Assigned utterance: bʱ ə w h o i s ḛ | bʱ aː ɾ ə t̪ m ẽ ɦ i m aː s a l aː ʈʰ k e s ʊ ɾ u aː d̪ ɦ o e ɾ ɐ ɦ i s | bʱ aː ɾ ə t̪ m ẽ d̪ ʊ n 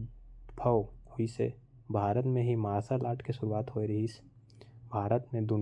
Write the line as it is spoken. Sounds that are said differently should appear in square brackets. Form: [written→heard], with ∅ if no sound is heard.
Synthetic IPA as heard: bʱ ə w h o i s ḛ | bʱ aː ɾ ə t̪ m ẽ ɦ i m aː s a l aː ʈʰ k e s ʊ ɾ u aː [d̪→t̪] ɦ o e ɾ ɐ ɦ i s | bʱ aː ɾ ə t̪ m ẽ d̪ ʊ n